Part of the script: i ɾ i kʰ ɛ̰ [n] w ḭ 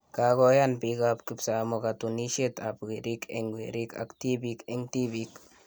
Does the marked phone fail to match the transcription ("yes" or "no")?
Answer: yes